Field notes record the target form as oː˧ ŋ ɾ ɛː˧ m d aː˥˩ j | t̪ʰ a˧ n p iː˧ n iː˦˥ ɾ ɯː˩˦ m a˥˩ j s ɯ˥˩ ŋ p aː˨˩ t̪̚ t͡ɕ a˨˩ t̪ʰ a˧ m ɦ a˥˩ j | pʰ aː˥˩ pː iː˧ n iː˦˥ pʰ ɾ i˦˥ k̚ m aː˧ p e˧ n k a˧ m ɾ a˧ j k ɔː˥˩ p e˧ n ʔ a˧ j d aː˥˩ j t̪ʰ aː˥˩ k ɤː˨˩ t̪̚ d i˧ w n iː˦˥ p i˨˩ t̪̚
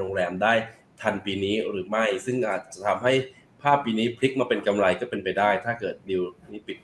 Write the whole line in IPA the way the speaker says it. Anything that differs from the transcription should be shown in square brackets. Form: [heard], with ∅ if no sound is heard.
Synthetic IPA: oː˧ ŋ ɾ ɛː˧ m d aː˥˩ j | t̪ʰ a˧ n p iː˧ n iː˦˥ ɾ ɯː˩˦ m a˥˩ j s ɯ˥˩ ŋ [ʔ] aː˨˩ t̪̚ t͡ɕ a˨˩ t̪ʰ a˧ m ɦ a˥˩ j | pʰ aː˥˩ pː iː˧ n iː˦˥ pʰ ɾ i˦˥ k̚ m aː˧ p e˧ n k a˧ m ɾ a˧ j k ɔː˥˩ p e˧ n [p] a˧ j d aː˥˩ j t̪ʰ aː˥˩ k ɤː˨˩ t̪̚ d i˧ w n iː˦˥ p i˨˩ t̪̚